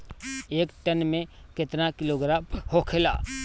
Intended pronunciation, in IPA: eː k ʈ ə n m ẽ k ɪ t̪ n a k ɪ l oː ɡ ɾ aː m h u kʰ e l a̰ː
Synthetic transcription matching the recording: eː k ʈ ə n m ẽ k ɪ t̪ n a k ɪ l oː ɡ ɾ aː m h o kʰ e l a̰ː

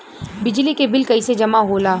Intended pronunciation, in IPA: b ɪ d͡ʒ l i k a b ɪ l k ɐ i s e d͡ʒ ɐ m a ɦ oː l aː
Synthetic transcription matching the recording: b ɪ d͡ʒ l i k e b ɪ l k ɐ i s e d͡ʒ ɐ m a ɦ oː l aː

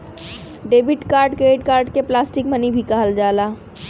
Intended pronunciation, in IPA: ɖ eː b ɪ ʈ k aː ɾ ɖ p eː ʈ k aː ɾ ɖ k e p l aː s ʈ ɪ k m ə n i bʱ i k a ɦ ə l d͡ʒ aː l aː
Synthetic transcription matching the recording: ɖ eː b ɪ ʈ k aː ɾ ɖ k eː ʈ k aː ɾ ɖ k e p l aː s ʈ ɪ k m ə n i bʱ i k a ɦ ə l d͡ʒ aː l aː

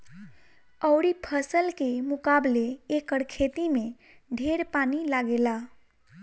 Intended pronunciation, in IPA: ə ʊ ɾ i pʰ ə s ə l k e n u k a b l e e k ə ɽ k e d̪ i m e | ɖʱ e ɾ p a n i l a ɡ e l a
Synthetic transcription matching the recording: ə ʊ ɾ i pʰ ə s ə l k e m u k a b l e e k ə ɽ kʰ e t̪ i m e | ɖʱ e ɾ p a n i l a ɡ e l a

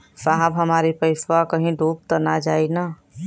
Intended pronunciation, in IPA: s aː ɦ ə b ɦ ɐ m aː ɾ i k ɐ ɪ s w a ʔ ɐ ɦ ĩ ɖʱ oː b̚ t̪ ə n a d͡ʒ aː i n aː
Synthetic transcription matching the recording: s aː ɦ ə b ɦ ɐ m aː ɾ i p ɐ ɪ s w a k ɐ ɦ ĩ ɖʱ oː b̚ t̪ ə n a d͡ʒ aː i n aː

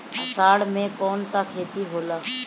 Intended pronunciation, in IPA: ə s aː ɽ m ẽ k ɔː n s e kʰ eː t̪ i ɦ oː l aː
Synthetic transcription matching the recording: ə s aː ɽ m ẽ k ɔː n s a kʰ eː t̪ i ɦ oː l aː

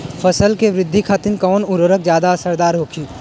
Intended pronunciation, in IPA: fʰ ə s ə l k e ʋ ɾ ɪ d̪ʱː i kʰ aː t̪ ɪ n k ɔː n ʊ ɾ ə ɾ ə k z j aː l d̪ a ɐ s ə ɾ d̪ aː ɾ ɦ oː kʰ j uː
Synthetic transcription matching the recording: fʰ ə s ə l k e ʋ ɾ ɪ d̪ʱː i kʰ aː t̪ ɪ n k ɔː n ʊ ɾ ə ɾ ə k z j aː d̪ a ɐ s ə ɾ d̪ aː ɾ ɦ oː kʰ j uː

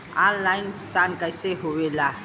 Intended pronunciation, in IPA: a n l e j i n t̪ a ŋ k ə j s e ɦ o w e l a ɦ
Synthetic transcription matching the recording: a n l a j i n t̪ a n k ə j s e ɦ o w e l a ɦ

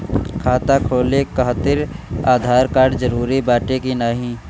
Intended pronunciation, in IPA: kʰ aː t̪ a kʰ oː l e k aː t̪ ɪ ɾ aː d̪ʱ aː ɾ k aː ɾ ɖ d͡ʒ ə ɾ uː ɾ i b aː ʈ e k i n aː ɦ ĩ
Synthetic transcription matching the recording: kʰ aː t̪ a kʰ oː l e k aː t̪ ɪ ɾ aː d̪ʱ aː ɾ k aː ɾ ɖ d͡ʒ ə ɾ uː ɾ i b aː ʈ e k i n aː ɦ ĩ

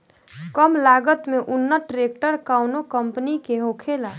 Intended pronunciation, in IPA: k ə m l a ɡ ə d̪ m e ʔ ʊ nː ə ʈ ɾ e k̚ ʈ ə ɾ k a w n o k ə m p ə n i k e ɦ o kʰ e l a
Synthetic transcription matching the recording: k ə m l a ɡ ə t̪ m e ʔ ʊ nː ə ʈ ɾ e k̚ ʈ ə ɾ k a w n o k ə m p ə n i k e ɦ o kʰ e l a

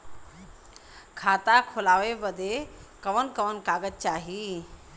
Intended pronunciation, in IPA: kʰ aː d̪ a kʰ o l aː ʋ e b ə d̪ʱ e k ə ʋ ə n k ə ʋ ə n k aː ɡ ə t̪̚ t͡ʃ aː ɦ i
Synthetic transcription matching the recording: kʰ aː t̪ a kʰ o l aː ʋ e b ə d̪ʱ e k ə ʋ ə n k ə ʋ ə n k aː ɡ ə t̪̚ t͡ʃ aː ɦ i

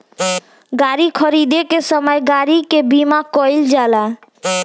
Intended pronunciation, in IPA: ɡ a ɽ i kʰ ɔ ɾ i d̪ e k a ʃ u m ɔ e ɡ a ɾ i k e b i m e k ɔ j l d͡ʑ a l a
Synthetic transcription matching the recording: ɡ a ɾ i kʰ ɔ ɾ i d̪ e k e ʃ ɔ m ɔ e ɡ a ɾ i k e b i m a k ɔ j l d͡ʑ a l a

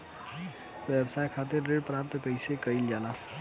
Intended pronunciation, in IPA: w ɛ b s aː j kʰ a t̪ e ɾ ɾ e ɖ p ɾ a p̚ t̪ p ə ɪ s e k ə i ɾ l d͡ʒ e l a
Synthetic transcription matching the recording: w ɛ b s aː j kʰ a t̪ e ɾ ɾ e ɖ p ɾ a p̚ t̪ k ə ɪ s e k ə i l d͡ʒ a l a

